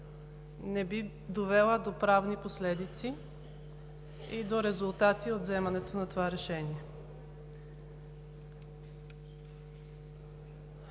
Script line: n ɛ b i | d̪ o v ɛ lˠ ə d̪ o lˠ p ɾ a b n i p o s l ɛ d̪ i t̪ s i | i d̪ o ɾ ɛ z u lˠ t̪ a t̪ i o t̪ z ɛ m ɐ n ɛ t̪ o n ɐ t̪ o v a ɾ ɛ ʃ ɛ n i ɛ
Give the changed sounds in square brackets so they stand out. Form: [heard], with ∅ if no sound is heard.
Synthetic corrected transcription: n ɛ b i | d̪ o v ɛ lˠ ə d̪ o [∅] p ɾ a [v] n i p o s l ɛ d̪ i t̪ s i | i d̪ o ɾ ɛ z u lˠ t̪ a t̪ i o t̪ z ɛ m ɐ n ɛ t̪ o n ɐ t̪ o v a ɾ ɛ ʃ ɛ n i ɛ

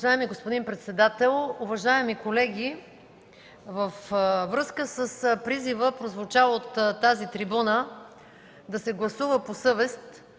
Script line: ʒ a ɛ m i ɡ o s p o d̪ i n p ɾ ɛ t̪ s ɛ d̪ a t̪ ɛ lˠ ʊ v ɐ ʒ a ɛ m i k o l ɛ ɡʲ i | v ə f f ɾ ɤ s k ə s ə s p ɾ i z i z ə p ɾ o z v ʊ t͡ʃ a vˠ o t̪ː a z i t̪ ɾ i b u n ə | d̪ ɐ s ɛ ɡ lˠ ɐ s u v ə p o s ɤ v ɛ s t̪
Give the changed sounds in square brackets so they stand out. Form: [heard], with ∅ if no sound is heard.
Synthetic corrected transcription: ʒ a ɛ m i ɡ o s p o d̪ i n p ɾ ɛ t̪ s ɛ d̪ a t̪ ɛ lˠ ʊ v ɐ ʒ a ɛ m i k o l ɛ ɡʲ i | v ə f [v] ɾ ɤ s k ə s ə s p ɾ i z i [v] ə p ɾ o z v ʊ t͡ʃ a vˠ o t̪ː a z i t̪ ɾ i b u n ə | d̪ ɐ s ɛ ɡ lˠ ɐ s u v ə p o s ɤ v ɛ s t̪

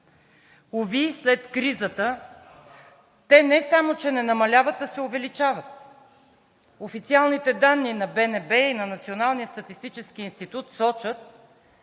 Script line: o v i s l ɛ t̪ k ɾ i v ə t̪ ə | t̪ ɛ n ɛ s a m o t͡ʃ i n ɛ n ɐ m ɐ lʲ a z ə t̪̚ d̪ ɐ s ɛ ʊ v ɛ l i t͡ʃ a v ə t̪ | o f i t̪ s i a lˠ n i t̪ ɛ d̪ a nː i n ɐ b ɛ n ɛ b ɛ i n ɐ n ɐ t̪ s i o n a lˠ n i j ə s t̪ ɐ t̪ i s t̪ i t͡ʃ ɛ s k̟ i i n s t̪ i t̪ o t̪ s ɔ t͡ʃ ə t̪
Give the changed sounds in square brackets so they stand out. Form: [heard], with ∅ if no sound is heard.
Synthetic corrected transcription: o v i s l ɛ t̪ k ɾ i [z] ə t̪ ə | t̪ ɛ n ɛ s a m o t͡ʃ [ɛ] n ɛ n ɐ m ɐ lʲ a [v] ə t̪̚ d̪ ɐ s ɛ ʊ v ɛ l i t͡ʃ a v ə t̪ | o f i t̪ s i a lˠ n i t̪ ɛ d̪ a nː i n ɐ b ɛ n ɛ b ɛ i n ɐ n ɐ t̪ s i o n a lˠ n i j ə s t̪ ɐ t̪ i s t̪ i t͡ʃ ɛ s k̟ i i n s t̪ i t̪ [u] t̪ s ɔ t͡ʃ ə t̪

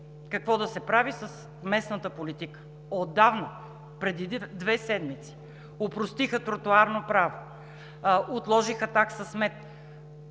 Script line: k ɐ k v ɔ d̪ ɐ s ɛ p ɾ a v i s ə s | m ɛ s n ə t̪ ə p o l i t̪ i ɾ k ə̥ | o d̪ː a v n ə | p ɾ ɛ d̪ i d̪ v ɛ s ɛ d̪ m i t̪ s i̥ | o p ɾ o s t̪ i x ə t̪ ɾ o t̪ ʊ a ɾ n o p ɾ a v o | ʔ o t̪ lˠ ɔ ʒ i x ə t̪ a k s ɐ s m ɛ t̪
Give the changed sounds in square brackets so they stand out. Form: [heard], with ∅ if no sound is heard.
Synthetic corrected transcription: k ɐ k v ɔ d̪ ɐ s ɛ p ɾ a v i s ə s | m ɛ s n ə t̪ ə p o l i t̪ i [∅] k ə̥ | o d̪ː a v n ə | p ɾ ɛ d̪ i d̪ v ɛ s ɛ d̪ m i t̪ s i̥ | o p ɾ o s t̪ i x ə t̪ ɾ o t̪ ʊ a ɾ n o p ɾ a v o | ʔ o t̪ lˠ ɔ ʒ i x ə t̪ a k s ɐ s m ɛ t̪

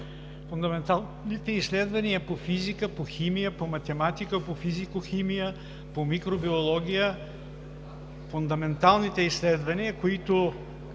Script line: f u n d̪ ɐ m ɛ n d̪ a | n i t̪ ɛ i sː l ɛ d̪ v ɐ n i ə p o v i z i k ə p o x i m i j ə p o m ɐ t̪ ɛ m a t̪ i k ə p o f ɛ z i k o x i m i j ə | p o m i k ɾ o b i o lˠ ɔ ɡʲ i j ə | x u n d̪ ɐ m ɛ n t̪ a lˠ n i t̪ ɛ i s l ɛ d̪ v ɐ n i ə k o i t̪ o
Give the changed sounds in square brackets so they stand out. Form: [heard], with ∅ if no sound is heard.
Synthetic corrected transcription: f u n d̪ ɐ m ɛ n [t̪] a | n i t̪ ɛ i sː l ɛ d̪ v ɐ n i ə p o [f] i z i k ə p o x i m i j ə p o m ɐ t̪ ɛ m a t̪ i k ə p o f [i] z i k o x i m i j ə | p o m i k ɾ o b i o lˠ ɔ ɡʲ i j ə | [f] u n d̪ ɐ m ɛ n t̪ a lˠ n i t̪ ɛ i s l ɛ d̪ v ɐ n i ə k o i t̪ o

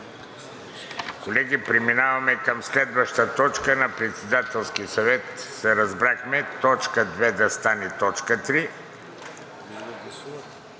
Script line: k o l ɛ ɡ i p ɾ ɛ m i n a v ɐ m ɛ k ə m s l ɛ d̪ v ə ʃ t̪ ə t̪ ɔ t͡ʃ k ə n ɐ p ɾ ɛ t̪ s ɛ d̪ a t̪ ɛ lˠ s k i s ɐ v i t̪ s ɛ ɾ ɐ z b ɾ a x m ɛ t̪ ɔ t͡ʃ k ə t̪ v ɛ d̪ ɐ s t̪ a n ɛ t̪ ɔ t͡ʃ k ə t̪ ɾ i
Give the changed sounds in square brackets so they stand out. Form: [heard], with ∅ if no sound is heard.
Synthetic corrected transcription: k o l ɛ ɡ i p ɾ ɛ m i n a v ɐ m ɛ k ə m s l ɛ d̪ v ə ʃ t̪ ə t̪ ɔ t͡ʃ k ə n ɐ p ɾ ɛ t̪ s ɛ d̪ a t̪ ɛ lˠ s k i s ɐ v [ɛ] t̪ s ɛ ɾ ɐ z b ɾ a x m ɛ t̪ ɔ t͡ʃ k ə [d̪] v ɛ d̪ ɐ s t̪ a n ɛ t̪ ɔ t͡ʃ k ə t̪ ɾ i

